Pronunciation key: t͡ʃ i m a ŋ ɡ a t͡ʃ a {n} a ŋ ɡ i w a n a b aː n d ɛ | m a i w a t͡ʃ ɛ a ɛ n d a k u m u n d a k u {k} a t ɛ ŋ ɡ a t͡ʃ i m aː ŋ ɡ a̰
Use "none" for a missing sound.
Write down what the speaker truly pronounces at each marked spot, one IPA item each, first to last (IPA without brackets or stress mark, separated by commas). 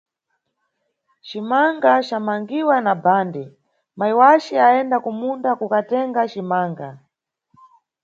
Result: m, k